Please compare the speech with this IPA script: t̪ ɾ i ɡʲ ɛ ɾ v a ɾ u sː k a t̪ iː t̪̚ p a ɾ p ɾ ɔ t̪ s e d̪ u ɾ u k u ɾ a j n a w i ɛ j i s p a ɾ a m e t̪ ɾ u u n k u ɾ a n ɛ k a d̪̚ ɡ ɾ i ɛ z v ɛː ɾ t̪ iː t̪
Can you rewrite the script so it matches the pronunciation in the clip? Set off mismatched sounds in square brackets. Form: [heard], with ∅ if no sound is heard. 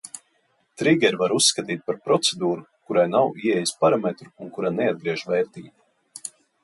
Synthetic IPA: t̪ ɾ i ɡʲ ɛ ɾ v a ɾ u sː k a t̪ iː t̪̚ p a ɾ p ɾ ɔ t̪ s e d̪ [uː] ɾ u k u ɾ a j n a w i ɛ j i s p a ɾ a m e t̪ ɾ u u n k u ɾ a n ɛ [∅] a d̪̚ ɡ ɾ i ɛ [ʒ] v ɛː ɾ t̪ iː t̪